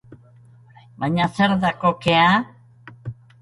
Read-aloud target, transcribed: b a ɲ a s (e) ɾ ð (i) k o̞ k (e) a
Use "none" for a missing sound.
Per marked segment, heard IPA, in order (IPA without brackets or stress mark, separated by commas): e, a, e